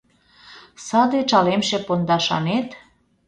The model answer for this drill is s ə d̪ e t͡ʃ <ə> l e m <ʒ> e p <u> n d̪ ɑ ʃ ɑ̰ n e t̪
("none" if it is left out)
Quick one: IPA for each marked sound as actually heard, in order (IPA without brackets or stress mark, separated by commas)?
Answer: ɑ, ʃ, o